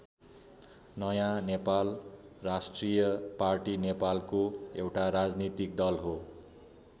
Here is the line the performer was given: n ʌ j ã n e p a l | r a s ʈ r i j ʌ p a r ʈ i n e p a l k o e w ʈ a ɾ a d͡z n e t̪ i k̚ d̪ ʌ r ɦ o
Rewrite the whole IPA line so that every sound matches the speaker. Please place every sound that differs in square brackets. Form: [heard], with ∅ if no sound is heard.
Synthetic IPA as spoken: n ʌ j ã n e p a l | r a s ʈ r i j ʌ p a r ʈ i n e p a l k o e w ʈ a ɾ a d͡z n [i] t̪ i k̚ d̪ ʌ [l] ɦ o